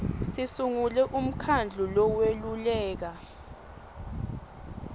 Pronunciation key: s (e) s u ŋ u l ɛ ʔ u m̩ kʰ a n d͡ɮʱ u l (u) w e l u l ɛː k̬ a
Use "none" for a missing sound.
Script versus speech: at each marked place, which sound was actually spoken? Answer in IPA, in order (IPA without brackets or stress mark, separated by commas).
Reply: i, ɔ